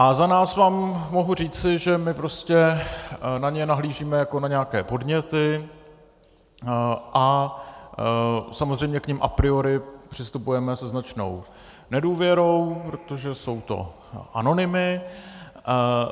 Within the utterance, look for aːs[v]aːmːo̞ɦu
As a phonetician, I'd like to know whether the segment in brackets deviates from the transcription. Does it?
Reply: no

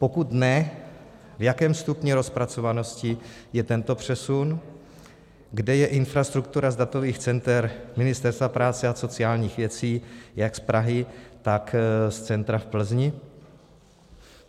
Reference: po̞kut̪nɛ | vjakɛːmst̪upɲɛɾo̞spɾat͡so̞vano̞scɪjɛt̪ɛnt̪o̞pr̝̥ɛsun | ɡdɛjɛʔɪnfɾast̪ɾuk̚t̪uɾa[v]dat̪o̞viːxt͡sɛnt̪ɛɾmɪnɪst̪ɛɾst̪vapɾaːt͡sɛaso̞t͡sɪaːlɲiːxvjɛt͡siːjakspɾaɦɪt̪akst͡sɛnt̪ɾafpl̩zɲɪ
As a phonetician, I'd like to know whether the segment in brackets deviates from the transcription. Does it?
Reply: yes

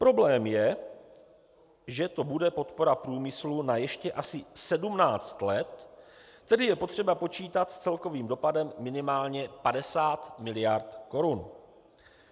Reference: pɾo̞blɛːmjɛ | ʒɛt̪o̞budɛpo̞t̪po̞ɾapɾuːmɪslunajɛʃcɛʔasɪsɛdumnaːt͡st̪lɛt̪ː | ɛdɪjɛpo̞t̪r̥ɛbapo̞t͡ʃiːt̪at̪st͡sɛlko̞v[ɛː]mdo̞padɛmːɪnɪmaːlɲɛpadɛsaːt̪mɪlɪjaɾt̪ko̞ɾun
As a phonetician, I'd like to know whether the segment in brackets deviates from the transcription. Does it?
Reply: yes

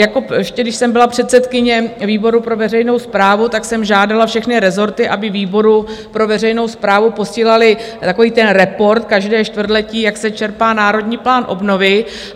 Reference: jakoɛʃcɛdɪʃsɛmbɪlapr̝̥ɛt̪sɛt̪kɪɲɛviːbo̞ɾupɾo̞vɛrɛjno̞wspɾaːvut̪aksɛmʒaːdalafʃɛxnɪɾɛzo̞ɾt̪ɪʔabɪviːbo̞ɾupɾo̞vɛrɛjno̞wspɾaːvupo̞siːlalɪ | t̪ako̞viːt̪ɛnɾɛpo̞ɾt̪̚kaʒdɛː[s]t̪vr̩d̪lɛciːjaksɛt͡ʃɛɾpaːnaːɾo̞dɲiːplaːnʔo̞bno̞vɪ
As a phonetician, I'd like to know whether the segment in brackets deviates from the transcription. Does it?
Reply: yes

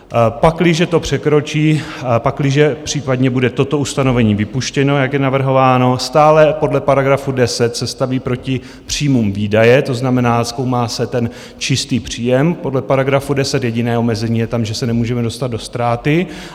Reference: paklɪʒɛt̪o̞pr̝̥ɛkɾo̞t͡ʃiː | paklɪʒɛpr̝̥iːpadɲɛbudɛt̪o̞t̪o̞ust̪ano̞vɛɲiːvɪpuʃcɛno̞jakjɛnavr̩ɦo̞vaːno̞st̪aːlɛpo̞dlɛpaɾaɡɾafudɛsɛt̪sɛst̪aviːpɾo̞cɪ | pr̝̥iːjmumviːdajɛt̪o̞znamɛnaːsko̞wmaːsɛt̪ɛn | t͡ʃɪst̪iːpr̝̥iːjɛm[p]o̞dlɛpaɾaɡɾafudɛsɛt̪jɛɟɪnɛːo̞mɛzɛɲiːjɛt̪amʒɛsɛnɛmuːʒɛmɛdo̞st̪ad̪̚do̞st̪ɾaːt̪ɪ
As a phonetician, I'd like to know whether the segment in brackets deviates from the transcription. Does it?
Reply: no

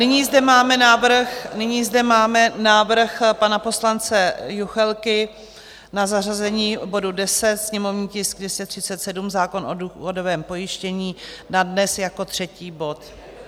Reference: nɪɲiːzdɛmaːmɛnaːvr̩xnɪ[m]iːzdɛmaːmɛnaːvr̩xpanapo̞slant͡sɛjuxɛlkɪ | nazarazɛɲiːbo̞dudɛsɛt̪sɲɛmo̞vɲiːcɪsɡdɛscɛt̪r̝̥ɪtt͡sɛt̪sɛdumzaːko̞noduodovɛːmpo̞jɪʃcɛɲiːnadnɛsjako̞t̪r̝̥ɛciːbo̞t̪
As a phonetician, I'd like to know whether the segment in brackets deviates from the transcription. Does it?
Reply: yes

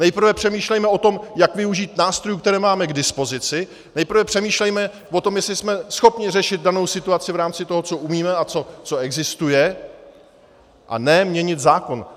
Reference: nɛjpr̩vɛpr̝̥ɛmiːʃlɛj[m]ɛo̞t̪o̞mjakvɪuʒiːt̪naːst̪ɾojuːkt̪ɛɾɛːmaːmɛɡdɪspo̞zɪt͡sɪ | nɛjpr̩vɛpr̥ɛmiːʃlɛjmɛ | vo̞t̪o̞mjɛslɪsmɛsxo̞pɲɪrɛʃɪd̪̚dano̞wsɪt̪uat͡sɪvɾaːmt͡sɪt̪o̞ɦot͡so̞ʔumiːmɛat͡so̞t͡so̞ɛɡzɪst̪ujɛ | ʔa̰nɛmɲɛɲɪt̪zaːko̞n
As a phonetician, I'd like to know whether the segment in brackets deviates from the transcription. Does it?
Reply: no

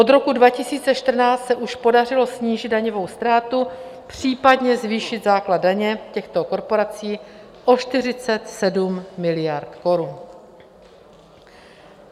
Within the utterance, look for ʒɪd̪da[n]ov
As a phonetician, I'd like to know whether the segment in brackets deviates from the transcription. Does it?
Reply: yes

